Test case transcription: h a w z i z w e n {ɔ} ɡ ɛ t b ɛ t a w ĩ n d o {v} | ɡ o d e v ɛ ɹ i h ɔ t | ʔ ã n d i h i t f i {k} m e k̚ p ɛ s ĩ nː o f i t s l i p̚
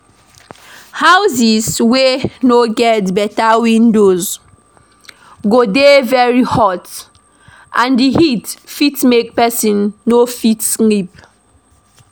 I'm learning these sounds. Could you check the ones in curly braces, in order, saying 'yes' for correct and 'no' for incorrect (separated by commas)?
no, no, no